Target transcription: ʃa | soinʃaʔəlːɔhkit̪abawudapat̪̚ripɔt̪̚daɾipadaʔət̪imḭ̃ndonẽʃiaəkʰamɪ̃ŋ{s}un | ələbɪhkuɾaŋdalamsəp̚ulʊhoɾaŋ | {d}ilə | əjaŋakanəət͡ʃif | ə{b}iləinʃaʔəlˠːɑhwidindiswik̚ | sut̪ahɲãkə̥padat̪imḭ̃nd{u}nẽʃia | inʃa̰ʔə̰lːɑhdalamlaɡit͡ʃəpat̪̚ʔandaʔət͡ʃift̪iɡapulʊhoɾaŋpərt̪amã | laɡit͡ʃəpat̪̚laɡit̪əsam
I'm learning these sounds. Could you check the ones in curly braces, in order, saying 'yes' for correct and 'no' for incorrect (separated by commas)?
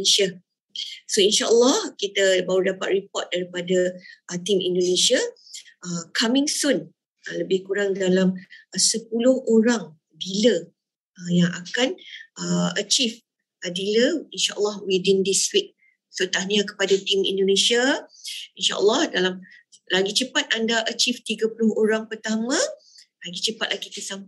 yes, yes, no, no